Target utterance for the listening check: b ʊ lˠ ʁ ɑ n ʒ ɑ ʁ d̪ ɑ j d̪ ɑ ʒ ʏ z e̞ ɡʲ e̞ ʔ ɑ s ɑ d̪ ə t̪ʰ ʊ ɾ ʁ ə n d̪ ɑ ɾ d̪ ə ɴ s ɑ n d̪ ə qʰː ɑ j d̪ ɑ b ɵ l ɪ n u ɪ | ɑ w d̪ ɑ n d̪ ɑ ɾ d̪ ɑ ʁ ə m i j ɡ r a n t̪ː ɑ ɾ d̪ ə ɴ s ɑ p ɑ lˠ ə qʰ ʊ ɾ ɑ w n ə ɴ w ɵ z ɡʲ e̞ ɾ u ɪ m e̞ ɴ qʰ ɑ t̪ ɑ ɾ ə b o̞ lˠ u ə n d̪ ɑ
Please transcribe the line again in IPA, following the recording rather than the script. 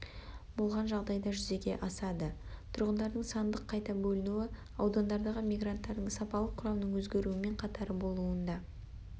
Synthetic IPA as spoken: b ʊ lˠ ʁ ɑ n ʒ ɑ ʁ d̪ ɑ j d̪ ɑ ʒ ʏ z e̞ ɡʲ e̞ ʔ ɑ s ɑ d̪ ə t̪ʰ ʊ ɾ ʁ ə n d̪ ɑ ɾ d̪ ə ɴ s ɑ n d̪ ə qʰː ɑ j t̪ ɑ b ɵ l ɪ n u ɪ | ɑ w d̪ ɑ n d̪ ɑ ɾ d̪ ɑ ʁ ə m i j ɡ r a n t̪ː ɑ ɾ d̪ ə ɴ s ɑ p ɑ lˠ ə qʰ ʊ ɾ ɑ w n ə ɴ w ɵ z ɡʲ e̞ ɾ u ɪ m e̞ ɴ qʰ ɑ t̪ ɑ ɾ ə b o̞ lˠ u ə n d̪ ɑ